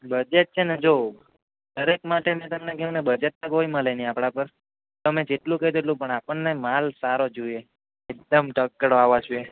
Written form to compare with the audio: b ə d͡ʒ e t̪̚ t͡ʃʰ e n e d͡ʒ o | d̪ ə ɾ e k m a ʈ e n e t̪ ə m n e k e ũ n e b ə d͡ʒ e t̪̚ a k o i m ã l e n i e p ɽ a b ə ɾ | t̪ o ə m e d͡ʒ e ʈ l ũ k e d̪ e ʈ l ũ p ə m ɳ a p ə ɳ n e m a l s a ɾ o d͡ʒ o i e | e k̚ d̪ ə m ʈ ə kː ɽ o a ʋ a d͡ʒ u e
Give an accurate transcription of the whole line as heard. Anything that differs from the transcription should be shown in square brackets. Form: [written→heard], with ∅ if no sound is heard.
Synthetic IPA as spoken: b ə d͡ʒ e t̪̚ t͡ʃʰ e n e d͡ʒ o | d̪ ə ɾ e k m a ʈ e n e t̪ ə m n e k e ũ n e b ə d͡ʒ e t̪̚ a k o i m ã l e n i [e→a] p ɽ a [b→p] ə ɾ | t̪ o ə m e d͡ʒ e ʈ l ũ k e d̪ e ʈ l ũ p ə [m→∅] ɳ a p ə ɳ n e m a l s a ɾ o d͡ʒ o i e | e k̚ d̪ ə m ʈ ə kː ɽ o a ʋ a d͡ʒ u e